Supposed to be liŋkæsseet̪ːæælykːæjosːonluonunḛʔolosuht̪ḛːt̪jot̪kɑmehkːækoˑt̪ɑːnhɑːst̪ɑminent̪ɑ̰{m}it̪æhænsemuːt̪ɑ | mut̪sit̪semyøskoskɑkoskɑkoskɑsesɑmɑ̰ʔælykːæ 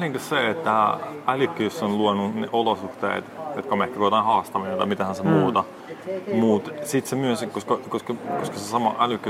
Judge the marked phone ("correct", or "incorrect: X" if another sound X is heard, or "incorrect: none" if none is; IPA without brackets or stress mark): correct